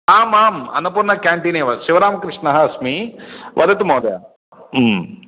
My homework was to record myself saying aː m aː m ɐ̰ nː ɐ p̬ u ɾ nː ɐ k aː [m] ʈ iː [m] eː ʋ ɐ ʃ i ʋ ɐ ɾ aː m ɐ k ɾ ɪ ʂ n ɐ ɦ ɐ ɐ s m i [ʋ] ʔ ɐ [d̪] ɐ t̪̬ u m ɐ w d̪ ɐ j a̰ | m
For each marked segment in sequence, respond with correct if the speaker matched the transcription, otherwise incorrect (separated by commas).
incorrect, incorrect, correct, correct